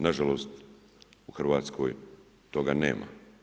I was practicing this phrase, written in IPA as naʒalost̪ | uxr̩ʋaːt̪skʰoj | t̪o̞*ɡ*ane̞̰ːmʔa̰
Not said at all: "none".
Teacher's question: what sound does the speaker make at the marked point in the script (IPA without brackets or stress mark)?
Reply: ɡ